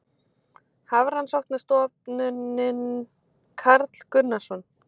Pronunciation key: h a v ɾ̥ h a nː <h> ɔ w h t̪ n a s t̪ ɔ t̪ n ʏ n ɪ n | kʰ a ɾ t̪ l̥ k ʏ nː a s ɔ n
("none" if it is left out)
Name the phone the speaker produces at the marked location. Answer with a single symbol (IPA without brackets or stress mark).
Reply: s